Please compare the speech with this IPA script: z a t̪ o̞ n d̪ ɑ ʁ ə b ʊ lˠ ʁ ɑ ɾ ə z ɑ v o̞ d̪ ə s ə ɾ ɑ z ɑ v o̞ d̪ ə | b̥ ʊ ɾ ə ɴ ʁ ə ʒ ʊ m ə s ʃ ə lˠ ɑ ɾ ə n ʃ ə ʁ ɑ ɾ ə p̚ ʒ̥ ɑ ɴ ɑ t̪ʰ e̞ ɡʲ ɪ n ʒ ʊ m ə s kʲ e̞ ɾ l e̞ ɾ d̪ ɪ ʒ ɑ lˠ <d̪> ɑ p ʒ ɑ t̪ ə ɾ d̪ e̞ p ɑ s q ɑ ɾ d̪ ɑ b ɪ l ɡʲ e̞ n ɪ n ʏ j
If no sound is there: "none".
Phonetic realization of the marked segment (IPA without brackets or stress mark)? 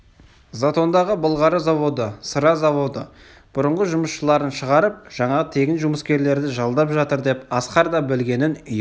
d̪